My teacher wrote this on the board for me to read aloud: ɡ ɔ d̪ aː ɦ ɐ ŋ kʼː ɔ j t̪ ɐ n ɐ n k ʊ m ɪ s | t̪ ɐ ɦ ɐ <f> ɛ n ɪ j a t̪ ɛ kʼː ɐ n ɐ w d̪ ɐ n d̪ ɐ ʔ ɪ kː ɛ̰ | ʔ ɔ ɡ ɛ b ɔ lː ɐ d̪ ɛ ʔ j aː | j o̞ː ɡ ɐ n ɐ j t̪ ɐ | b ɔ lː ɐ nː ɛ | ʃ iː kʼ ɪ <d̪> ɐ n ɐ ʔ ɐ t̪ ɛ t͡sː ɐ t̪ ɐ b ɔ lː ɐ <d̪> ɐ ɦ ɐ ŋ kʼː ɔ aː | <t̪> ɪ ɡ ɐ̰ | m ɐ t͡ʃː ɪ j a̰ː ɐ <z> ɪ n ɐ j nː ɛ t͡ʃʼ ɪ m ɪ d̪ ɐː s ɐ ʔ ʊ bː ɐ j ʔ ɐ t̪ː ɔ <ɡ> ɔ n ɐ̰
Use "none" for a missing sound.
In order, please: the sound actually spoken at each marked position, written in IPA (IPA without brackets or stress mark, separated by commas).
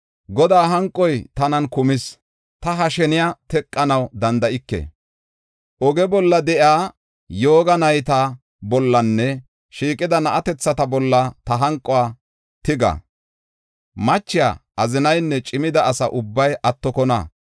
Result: ʃ, d̪, t̪, t̪, z, k